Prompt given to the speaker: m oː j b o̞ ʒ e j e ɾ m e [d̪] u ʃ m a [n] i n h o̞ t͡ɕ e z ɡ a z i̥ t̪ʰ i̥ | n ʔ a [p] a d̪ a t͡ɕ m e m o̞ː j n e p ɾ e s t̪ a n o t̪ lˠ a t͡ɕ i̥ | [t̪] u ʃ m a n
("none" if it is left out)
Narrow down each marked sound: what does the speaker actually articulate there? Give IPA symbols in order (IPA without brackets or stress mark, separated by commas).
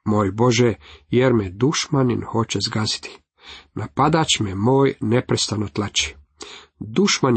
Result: d̪, n, p, d̪